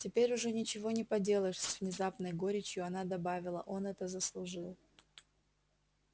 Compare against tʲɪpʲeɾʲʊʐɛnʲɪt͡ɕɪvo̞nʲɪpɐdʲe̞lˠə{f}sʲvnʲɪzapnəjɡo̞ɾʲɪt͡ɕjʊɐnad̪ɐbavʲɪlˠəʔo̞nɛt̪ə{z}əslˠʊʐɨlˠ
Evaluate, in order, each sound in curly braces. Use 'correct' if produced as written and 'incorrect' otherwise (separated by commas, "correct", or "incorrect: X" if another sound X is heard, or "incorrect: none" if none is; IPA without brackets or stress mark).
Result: incorrect: ʂ, correct